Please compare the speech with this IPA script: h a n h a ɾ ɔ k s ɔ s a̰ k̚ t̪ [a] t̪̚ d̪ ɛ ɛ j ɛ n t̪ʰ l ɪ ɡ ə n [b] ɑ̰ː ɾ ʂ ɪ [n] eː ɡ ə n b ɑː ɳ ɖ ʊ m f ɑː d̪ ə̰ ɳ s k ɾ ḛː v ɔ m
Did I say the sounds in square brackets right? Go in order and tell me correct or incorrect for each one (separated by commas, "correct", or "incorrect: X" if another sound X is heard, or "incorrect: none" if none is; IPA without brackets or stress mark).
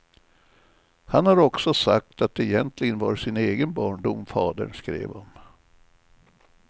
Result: correct, incorrect: v, correct